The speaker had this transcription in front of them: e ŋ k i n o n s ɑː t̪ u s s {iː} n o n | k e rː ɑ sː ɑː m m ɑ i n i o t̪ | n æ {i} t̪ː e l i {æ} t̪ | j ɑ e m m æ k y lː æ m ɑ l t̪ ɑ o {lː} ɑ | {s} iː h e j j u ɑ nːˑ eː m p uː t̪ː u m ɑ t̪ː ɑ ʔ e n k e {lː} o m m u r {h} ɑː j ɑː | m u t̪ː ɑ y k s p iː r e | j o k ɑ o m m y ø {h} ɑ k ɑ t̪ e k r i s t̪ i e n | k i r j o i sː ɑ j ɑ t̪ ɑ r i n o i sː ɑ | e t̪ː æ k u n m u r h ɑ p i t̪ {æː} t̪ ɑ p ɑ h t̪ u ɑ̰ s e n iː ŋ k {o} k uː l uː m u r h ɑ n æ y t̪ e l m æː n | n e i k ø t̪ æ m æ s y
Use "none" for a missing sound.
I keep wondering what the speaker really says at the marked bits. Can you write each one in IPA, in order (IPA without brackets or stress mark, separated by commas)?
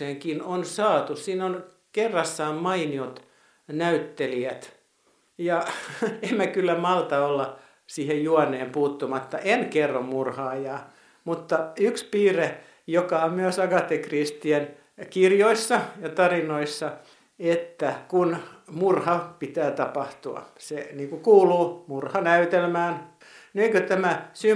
iː, y, æ, lː, s, rː, h, s, æː, u